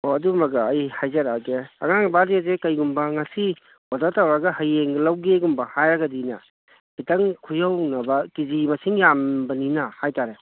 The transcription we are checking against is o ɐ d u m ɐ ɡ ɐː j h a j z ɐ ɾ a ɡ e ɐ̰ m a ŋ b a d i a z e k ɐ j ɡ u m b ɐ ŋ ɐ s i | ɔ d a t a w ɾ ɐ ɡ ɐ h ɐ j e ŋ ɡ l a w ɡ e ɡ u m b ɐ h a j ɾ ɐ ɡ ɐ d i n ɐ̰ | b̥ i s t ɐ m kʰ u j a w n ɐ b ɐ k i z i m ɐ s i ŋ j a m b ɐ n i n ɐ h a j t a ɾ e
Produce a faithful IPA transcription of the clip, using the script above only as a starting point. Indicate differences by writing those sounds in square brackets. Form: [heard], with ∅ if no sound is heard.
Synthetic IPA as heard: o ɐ d u m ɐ ɡ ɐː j h a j z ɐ ɾ a ɡ e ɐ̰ [ŋ] a ŋ b a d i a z e k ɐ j ɡ u m b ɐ ŋ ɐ s i | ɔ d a t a w ɾ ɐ ɡ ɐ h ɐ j e ŋ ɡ l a w ɡ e ɡ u m b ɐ h a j ɾ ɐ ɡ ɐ d i n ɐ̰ | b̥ i [∅] t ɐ [ŋ] kʰ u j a w n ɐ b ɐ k i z i m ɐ s i ŋ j a m b ɐ n i n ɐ h a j t a ɾ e